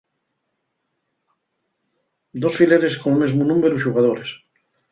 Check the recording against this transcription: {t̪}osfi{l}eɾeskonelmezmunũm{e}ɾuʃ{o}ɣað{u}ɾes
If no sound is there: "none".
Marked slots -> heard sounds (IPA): d̪, l, e, u, o

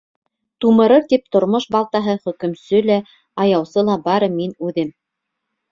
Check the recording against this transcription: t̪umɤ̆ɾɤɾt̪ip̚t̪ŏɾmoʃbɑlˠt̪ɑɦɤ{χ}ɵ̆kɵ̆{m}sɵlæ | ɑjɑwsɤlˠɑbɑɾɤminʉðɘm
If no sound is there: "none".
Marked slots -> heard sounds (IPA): χ, m

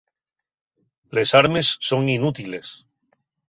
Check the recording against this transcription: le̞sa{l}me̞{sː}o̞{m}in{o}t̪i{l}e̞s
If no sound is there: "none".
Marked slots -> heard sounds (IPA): ɾ, sː, ŋ, u, l

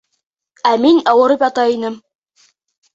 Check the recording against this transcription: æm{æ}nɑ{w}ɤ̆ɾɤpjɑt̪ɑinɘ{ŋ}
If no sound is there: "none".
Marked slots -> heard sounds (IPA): i, w, m

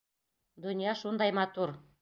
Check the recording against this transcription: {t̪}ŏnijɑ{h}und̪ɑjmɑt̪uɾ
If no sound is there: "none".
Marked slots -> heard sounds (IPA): d̪, ʃ

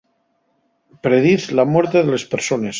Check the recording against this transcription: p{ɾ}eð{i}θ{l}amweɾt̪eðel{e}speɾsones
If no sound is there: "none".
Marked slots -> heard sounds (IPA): ɾ, i, l, e

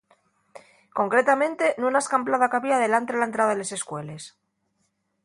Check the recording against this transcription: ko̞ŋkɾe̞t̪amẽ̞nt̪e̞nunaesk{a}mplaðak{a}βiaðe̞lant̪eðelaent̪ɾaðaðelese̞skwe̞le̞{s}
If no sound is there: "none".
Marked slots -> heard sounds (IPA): a, a, s

